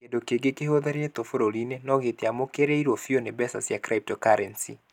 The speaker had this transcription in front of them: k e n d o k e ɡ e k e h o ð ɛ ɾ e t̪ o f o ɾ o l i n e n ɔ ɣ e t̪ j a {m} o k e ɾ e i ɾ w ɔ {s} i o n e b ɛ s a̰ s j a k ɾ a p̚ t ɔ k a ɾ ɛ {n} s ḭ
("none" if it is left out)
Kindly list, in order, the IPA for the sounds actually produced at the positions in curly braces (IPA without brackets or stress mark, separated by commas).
m, f, n